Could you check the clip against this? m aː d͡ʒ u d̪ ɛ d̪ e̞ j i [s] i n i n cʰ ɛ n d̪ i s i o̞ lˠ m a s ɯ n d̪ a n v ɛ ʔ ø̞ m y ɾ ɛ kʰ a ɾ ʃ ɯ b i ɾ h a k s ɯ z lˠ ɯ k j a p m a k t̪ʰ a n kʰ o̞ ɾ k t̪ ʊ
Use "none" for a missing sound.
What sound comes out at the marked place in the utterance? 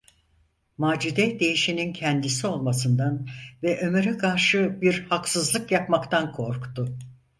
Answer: ʃ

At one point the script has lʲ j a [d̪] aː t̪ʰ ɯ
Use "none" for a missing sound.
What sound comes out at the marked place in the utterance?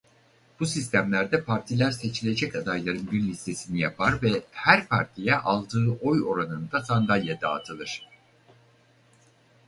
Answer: d̪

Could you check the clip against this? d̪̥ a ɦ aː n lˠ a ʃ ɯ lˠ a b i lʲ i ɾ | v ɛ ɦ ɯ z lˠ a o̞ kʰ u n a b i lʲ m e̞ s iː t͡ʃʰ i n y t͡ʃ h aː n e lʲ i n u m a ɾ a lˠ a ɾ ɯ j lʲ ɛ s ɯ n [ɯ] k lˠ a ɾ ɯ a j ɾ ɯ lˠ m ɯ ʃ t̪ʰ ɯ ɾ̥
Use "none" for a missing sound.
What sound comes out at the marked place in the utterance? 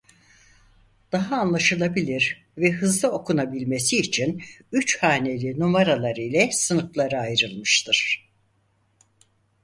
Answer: ɯ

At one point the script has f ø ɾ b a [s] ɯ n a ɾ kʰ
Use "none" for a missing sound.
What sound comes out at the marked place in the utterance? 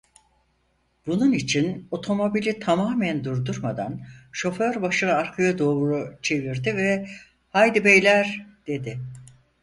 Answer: ʃ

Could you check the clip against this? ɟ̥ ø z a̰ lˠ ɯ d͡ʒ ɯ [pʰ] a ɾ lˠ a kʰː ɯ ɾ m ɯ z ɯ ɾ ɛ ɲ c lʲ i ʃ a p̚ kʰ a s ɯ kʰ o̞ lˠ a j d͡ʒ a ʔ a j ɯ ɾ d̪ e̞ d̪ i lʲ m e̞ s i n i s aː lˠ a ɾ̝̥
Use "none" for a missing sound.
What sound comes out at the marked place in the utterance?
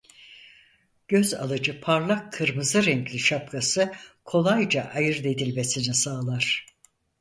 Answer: pʰ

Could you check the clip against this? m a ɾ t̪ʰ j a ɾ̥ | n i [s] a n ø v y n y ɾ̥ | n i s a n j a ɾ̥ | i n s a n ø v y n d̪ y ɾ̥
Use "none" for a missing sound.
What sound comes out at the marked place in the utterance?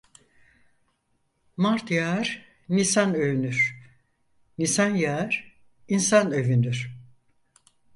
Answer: s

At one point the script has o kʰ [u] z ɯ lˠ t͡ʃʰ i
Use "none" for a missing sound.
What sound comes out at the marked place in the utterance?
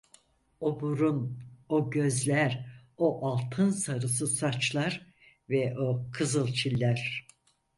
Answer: ɯ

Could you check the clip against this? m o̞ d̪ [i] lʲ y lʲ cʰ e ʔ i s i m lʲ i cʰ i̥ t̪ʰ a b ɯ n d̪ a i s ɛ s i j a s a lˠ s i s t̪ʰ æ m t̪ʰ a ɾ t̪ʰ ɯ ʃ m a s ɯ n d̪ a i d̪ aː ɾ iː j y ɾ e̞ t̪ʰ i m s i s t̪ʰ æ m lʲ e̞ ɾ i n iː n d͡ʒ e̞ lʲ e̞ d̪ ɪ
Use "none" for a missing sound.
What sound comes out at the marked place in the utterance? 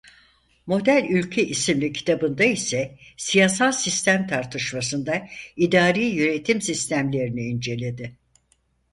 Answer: æ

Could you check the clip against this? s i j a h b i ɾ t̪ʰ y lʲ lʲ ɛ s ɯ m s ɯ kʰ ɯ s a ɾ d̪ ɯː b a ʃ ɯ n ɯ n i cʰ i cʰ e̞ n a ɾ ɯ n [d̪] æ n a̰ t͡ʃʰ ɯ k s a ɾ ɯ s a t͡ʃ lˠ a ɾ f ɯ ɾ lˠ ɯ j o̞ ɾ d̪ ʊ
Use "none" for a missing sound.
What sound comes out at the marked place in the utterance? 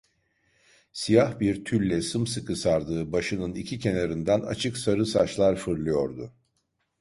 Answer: d̪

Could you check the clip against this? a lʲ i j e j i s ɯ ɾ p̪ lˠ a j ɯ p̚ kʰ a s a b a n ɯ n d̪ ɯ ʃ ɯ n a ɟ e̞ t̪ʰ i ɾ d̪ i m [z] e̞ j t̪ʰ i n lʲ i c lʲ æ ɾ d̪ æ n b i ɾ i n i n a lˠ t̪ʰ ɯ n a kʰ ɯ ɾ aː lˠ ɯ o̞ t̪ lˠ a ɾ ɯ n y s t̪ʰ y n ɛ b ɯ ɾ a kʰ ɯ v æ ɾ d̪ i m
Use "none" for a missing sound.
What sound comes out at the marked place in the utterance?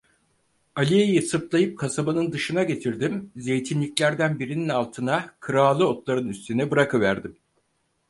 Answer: z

